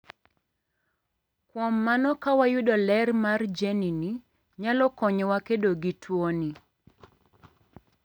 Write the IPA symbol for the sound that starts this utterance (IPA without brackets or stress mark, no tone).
k